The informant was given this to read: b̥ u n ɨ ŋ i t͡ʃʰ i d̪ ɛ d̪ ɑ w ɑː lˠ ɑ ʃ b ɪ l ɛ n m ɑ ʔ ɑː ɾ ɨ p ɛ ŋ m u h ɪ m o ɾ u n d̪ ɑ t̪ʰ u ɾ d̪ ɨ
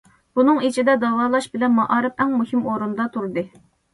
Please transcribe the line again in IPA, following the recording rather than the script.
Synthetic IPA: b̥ u n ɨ ŋ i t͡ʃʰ i d̪ ɛ d̪ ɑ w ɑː lˠ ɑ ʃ b ɪ l ɛ n m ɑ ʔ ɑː ɾ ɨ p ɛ ŋ m u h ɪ m o ɾ u n d̪ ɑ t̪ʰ u ɾ d̪ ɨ